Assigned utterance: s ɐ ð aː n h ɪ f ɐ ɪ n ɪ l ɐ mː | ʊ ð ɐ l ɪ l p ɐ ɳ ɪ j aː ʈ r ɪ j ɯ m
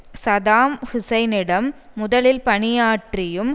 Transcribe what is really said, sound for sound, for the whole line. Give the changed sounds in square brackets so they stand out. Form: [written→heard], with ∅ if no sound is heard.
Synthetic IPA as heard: s ɐ ð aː [n→m] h ɪ [f→s] ɐ ɪ n ɪ [l→ɽ] ɐ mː | ʊ ð ɐ l ɪ l p ɐ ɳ ɪ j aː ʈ r ɪ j ɯ m